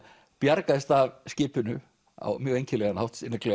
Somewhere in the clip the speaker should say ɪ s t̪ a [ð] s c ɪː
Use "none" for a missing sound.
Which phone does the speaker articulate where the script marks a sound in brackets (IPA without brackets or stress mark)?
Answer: v